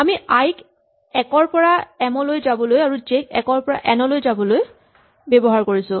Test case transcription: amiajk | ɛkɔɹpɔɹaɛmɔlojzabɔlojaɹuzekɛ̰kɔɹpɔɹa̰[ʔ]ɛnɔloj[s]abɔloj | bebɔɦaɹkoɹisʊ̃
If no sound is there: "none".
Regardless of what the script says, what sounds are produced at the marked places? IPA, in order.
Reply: ʔ, z

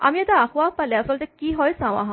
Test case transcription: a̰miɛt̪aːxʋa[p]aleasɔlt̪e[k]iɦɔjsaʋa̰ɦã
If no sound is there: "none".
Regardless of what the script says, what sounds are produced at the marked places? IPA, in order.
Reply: p, k

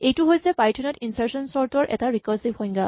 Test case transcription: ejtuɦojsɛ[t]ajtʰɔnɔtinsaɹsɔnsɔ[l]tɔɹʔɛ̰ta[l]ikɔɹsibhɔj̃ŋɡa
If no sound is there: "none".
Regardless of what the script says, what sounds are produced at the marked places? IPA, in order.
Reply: p, ɹ, ɹ

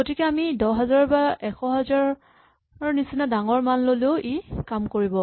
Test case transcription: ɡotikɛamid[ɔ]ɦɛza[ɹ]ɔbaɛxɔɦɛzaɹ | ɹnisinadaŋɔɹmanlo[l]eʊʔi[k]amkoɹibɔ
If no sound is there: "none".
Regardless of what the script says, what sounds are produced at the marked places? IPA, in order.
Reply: ɔ, ɹ, l, k

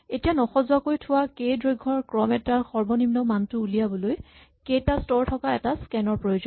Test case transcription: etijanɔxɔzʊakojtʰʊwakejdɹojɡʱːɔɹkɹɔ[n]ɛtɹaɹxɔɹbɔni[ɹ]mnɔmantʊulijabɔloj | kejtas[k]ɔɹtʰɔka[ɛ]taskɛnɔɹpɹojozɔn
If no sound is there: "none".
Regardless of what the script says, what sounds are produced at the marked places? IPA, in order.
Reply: m, none, t, ɛ

